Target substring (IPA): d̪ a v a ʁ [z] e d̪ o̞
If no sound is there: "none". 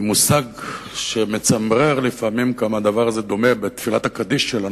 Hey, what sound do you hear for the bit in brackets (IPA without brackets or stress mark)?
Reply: z